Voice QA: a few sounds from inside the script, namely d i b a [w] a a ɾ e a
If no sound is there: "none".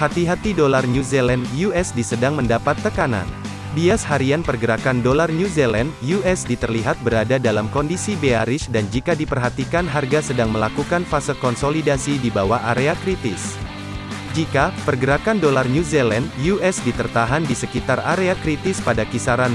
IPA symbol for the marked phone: w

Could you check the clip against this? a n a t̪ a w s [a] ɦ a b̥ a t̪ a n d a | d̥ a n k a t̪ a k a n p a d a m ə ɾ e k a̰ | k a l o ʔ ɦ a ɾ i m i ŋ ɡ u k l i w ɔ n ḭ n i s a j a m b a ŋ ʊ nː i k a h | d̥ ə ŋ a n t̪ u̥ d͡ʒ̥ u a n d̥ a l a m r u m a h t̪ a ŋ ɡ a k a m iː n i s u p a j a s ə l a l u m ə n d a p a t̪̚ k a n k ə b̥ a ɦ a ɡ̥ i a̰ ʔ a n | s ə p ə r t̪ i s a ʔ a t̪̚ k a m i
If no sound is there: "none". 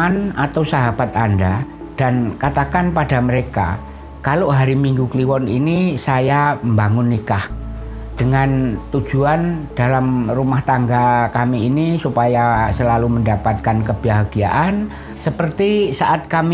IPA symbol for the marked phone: a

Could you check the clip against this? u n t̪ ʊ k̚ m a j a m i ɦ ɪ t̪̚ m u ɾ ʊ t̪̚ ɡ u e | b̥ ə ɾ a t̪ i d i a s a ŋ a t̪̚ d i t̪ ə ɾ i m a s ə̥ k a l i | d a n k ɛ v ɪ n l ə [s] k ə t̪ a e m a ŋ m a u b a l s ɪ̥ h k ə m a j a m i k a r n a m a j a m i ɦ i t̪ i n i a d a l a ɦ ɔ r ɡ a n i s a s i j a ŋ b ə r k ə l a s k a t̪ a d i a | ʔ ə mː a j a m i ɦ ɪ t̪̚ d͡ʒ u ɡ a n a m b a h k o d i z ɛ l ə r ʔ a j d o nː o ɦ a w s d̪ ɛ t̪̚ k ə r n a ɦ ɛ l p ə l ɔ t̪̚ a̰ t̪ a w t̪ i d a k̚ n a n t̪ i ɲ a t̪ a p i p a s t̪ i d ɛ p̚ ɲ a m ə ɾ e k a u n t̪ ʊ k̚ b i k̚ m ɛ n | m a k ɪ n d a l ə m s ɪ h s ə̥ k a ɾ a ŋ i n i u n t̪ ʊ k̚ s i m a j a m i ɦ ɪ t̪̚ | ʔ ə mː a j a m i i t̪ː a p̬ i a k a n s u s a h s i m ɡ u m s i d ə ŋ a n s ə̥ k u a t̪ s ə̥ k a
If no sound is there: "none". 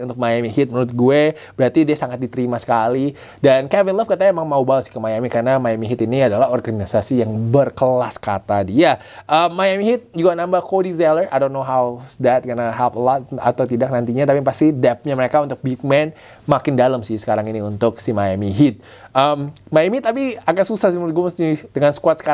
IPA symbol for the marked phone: f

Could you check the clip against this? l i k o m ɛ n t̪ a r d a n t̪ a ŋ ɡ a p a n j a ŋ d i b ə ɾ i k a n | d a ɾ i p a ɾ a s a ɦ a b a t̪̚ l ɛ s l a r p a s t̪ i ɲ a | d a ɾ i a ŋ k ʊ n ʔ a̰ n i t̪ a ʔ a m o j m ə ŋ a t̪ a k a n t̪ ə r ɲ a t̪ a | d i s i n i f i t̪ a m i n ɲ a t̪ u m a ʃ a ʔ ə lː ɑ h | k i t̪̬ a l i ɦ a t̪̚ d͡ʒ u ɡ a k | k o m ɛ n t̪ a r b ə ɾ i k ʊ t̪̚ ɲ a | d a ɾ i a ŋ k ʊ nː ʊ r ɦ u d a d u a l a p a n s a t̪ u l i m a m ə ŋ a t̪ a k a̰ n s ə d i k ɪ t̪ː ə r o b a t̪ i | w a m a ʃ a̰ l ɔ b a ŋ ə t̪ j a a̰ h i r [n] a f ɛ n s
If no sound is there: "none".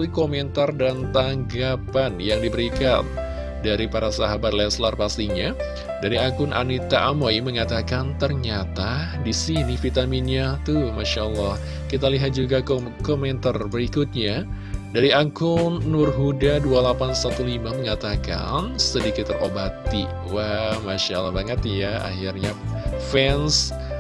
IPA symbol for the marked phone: ɲ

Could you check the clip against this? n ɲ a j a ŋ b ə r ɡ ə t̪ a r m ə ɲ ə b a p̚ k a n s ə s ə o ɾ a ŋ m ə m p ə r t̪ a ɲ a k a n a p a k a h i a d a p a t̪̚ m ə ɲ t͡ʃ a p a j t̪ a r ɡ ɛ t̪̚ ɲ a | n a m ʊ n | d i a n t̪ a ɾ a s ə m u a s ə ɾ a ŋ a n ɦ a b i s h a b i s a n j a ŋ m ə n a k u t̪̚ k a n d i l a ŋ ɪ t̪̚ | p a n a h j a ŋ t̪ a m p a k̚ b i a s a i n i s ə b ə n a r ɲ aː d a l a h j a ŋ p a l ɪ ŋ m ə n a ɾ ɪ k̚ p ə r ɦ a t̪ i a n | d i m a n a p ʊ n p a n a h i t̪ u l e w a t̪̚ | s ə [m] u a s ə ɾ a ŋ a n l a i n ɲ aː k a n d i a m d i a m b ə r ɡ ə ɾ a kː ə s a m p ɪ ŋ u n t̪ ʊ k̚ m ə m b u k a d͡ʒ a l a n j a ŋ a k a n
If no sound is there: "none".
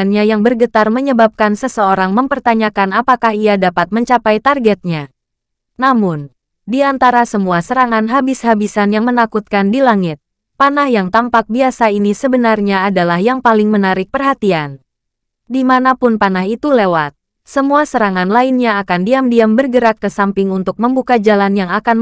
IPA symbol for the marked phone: m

